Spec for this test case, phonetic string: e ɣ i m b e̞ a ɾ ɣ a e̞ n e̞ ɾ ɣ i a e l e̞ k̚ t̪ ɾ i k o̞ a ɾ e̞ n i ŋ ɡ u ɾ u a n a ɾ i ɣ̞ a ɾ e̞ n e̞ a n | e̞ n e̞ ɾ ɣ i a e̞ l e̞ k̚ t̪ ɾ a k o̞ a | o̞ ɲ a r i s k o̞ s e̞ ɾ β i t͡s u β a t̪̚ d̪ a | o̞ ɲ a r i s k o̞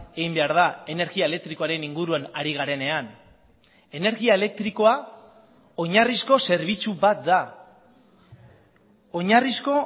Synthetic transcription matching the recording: e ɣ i m b e̞ a ɾ ð a e̞ n e̞ ɾ ɣ i a e l e̞ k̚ t̪ ɾ i k o̞ a ɾ e̞ n i ŋ ɡ u ɾ u a n a ɾ i ɣ̞ a ɾ e̞ n e̞ a n | e̞ n e̞ ɾ ɣ i a e̞ l e̞ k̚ t̪ ɾ i k o̞ a | o̞ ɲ a r i s k o̞ s e̞ ɾ β i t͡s u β a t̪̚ d̪ a | o̞ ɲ a r i s k o̞